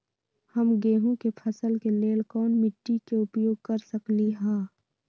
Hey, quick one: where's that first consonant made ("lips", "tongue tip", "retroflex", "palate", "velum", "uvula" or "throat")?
throat